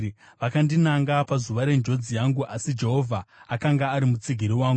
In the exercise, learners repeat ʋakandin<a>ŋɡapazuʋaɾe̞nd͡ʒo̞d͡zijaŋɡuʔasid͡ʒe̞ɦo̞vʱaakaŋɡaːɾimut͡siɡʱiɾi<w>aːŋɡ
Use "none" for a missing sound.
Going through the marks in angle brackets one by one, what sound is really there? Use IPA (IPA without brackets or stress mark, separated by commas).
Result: a, w